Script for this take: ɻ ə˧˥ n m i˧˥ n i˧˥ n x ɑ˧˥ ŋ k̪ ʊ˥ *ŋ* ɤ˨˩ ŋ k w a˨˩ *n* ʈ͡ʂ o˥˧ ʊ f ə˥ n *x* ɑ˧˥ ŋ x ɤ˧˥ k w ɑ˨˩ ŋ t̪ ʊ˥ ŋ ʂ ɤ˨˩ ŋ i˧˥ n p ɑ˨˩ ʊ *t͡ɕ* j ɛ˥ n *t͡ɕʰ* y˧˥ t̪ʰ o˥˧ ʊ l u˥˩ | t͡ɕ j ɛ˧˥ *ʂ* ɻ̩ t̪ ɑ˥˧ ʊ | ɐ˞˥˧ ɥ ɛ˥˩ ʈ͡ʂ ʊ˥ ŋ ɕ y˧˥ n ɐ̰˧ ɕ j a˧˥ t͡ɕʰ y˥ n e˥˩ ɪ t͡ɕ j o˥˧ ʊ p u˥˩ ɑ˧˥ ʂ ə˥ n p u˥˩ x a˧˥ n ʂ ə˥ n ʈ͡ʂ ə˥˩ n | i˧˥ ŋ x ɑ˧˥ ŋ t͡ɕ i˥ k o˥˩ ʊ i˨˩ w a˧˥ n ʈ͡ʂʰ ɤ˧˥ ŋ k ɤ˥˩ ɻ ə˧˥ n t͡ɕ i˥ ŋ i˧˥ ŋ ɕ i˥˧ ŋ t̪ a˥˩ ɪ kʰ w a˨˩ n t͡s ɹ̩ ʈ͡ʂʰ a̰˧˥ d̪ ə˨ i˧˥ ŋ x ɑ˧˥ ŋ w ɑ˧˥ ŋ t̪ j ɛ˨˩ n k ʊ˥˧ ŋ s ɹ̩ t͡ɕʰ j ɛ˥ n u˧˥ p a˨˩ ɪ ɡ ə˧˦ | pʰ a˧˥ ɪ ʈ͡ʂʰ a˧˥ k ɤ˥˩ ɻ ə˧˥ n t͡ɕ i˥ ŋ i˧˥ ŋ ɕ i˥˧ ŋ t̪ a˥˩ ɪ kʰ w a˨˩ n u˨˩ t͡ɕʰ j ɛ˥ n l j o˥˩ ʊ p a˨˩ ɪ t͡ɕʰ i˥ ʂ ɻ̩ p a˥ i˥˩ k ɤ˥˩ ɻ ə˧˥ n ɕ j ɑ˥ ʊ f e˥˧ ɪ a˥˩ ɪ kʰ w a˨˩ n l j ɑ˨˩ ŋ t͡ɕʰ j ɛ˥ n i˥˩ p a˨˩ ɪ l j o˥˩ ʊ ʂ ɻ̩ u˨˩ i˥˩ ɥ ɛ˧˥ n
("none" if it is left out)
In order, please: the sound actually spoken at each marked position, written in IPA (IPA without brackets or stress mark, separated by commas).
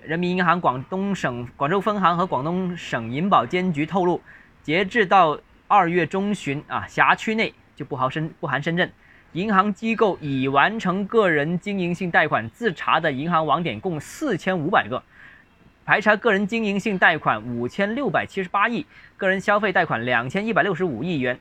ŋ, ŋ, x, t͡ɕ, t͡ɕ, ʈ͡ʂ